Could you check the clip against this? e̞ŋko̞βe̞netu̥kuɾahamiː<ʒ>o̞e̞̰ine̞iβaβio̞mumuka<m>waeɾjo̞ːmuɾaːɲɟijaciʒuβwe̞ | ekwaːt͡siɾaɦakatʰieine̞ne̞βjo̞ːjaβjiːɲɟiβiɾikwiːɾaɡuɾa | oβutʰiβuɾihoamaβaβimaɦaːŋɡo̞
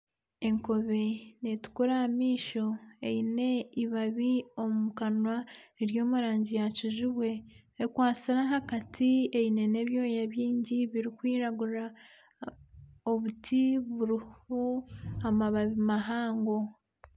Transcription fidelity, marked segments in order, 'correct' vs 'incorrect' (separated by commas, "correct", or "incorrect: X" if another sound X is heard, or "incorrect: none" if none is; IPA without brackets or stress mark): incorrect: ʃ, incorrect: n